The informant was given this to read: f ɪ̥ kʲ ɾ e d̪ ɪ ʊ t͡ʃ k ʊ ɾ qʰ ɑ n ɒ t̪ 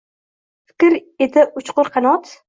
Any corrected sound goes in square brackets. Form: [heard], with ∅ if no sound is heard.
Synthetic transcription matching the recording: f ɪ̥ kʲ ɾ e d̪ ɪ ʊ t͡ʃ [q] ʊ ɾ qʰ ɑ n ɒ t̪